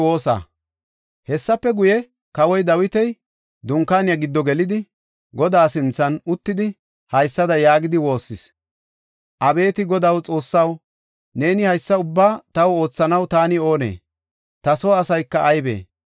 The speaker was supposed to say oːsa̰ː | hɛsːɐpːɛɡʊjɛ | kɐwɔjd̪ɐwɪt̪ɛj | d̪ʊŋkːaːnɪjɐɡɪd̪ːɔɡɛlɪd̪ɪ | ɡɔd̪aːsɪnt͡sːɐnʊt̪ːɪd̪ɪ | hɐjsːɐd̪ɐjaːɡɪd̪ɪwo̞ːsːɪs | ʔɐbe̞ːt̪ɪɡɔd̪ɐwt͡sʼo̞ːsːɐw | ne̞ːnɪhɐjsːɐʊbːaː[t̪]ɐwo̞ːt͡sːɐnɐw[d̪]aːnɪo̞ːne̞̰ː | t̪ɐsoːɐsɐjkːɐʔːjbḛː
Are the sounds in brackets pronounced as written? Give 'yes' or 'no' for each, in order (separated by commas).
yes, no